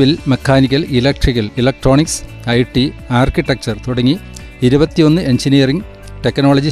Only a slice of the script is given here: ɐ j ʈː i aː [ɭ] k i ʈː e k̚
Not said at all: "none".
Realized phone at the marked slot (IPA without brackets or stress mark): r